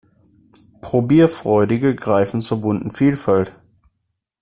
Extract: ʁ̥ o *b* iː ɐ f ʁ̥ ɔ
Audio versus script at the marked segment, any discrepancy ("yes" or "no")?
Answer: no